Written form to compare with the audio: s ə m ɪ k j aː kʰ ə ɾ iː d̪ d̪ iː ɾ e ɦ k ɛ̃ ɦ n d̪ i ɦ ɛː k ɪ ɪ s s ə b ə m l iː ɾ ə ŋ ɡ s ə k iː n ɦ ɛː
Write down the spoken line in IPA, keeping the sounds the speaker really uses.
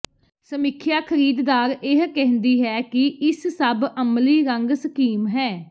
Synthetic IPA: s ə m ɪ kʰ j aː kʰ ə ɾ iː d̪ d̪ aː ɾ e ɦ k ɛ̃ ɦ n d̪ iː ɦ ɛː k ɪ ɪ s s ə b ə m l iː ɾ ə ŋ ɡ s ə k iː m ɦ ɛː